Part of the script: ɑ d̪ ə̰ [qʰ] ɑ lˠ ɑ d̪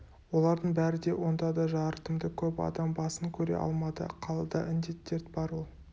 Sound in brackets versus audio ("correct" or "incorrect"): correct